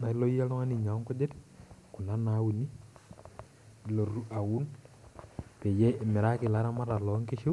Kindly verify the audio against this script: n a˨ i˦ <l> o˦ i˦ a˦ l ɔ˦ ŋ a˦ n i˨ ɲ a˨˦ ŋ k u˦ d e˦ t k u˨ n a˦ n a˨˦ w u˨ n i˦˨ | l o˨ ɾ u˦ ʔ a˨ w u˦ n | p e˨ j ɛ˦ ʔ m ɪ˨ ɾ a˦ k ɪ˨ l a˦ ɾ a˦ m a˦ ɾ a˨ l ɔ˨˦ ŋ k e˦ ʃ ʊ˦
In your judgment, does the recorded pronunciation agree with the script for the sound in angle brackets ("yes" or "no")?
yes